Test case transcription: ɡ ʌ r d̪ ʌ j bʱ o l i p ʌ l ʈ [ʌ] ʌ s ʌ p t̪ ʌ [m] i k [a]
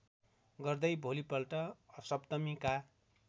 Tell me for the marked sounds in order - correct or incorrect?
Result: correct, correct, correct

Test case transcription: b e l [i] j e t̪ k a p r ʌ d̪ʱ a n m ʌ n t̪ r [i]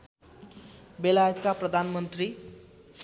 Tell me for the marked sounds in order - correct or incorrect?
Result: incorrect: a, correct

